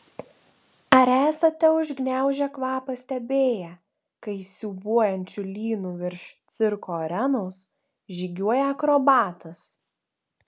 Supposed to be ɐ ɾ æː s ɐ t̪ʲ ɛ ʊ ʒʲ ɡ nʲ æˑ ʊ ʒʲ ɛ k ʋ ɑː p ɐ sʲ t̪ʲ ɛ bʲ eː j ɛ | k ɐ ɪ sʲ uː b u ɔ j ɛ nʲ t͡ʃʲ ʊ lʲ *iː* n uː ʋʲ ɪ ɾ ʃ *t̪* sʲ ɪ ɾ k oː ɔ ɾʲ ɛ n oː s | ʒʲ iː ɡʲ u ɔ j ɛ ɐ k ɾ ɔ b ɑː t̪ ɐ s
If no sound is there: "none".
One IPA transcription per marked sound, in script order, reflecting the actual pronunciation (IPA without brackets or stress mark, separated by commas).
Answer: iː, t̪